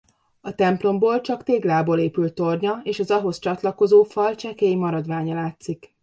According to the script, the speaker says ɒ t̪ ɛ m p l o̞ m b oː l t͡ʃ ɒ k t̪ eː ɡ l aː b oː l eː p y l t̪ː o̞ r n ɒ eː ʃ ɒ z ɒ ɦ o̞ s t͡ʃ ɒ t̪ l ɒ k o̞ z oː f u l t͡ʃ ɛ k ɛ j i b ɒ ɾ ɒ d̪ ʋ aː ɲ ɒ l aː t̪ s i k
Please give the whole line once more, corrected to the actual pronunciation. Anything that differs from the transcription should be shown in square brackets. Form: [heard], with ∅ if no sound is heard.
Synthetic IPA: ɒ t̪ ɛ m p l o̞ m b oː l t͡ʃ ɒ k t̪ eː ɡ l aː b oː l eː p y l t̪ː o̞ r [ɲ] ɒ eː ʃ ɒ z ɒ ɦ o̞ s t͡ʃ ɒ t̪ l ɒ k o̞ z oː f [ɒ] l t͡ʃ ɛ k ɛ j i [m] ɒ ɾ ɒ d̪ ʋ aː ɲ ɒ l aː t̪ s i k